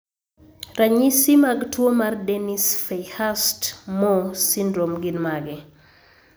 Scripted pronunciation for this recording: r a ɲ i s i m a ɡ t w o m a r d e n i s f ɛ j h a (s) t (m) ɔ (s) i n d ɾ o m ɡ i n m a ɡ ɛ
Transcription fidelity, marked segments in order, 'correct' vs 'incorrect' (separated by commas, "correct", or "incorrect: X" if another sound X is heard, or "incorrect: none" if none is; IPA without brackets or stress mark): correct, correct, correct